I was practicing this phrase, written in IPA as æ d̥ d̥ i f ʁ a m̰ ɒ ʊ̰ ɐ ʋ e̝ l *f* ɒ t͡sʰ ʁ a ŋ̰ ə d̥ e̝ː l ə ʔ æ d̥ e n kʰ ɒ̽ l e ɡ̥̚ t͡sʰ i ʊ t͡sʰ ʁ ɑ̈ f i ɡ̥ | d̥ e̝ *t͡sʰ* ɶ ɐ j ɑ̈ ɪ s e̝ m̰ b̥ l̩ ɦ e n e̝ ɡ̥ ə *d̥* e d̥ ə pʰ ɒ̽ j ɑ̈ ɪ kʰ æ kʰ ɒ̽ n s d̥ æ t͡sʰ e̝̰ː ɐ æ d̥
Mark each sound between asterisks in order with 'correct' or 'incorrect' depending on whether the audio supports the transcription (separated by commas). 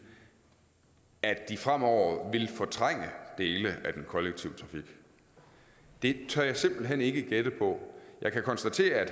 correct, correct, incorrect